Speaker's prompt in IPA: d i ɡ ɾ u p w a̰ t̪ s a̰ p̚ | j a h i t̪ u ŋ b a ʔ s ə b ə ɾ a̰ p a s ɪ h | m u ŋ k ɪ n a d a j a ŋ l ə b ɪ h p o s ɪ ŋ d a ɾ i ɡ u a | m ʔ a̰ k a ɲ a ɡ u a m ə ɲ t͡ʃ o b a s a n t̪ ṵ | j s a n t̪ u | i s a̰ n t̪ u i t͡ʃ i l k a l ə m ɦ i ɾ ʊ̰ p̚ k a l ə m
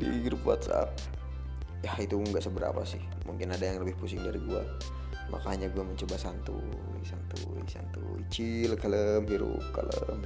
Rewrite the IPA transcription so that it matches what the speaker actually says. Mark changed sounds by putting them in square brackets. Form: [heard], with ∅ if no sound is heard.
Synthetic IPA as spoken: d i ɡ ɾ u p w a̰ t̪ s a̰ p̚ | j a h i t̪ u ŋ [ɡ] a ʔ s ə b ə ɾ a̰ p a s ɪ h | m u ŋ k ɪ n a d a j a ŋ l ə b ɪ h p [u] s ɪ ŋ d a ɾ i ɡ u a | m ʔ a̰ k a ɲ a ɡ u a m ə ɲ t͡ʃ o b a s a n t̪ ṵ | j s a n t̪ u | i s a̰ n t̪ u i t͡ʃ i l k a l ə m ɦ i ɾ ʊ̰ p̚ k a l ə m